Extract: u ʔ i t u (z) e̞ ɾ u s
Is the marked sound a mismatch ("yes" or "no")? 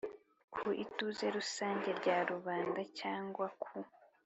no